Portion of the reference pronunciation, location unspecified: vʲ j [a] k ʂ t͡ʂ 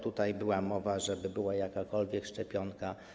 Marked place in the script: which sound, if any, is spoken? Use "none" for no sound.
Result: ɛ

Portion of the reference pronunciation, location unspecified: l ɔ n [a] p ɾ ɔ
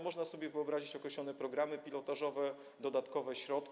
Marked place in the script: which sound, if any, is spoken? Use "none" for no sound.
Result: ɛ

